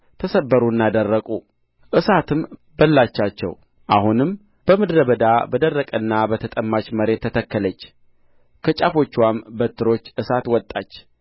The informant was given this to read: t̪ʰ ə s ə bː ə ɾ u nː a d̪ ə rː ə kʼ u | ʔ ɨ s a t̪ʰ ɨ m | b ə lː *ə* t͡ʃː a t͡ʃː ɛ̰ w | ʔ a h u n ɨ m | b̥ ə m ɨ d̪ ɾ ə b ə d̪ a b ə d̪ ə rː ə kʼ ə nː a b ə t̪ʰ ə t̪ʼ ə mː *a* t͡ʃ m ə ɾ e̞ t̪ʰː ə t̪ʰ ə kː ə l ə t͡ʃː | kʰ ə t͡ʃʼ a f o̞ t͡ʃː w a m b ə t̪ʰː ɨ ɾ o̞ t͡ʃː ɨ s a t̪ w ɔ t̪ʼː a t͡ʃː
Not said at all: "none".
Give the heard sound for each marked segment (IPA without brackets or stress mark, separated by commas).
a, a